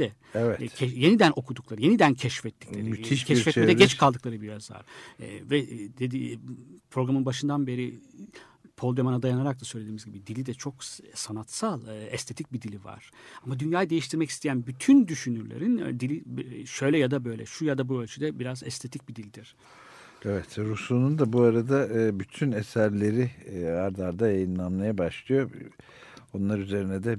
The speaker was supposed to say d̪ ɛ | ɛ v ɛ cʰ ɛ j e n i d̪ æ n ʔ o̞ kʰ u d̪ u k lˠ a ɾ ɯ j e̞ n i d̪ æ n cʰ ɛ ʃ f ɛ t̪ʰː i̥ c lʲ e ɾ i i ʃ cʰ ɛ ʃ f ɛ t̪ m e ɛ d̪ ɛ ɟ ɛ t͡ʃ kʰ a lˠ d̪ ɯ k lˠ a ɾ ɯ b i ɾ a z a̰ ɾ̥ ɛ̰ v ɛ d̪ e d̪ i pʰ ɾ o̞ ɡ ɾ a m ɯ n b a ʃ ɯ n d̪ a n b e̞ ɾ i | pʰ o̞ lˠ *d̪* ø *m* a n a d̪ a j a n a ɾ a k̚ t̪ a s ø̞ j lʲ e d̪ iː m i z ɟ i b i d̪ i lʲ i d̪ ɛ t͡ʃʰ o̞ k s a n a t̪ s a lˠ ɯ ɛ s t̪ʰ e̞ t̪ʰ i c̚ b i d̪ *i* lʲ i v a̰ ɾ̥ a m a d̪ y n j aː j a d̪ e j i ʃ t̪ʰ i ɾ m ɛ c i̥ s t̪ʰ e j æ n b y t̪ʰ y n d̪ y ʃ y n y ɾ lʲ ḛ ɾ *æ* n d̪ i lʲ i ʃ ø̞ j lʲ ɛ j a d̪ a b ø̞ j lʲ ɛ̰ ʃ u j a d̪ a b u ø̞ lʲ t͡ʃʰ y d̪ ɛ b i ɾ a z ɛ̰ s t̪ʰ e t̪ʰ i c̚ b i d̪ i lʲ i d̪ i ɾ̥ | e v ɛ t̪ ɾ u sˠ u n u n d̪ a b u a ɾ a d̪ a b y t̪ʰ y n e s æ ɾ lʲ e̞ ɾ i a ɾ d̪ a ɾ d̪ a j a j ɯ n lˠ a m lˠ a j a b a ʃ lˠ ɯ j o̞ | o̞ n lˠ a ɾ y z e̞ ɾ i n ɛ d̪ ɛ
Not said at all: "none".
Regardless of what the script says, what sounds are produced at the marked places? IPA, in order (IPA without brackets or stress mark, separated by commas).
d̪, m, i, i